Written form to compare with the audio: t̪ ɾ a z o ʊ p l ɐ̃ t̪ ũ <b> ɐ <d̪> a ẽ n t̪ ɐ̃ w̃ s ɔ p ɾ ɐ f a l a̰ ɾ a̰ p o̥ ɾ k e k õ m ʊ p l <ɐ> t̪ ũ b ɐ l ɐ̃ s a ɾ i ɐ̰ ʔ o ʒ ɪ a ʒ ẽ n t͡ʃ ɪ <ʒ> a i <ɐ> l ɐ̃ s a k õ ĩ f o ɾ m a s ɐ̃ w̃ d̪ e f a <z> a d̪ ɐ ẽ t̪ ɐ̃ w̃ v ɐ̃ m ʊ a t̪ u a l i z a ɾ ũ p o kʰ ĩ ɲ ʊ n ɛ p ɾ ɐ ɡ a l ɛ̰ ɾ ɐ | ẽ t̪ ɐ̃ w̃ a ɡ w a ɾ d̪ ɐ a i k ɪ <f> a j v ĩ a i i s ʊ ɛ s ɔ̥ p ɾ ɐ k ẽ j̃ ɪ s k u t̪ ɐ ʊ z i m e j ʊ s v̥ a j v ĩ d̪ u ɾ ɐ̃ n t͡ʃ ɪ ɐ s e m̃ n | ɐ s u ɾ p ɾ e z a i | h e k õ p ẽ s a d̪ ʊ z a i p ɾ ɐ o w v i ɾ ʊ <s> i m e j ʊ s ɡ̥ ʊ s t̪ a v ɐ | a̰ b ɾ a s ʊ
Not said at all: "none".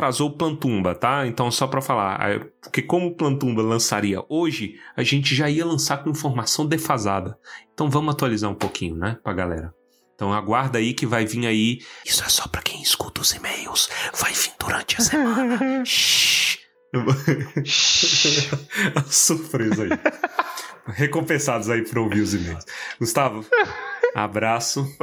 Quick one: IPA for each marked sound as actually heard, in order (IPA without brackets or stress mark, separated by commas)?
b, t̪, ɐ̃, ʒ, ɐ, z, v, z